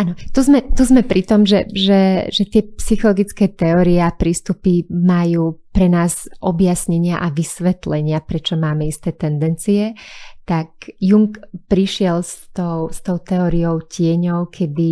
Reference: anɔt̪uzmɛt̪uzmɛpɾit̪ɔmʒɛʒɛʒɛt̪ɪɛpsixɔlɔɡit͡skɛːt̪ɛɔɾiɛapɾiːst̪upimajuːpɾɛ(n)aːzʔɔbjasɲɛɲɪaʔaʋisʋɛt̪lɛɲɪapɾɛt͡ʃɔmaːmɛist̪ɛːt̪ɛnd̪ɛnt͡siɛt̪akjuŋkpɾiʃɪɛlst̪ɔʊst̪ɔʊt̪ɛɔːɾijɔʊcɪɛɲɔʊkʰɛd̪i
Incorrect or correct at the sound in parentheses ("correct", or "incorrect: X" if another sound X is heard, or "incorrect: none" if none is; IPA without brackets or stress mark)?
correct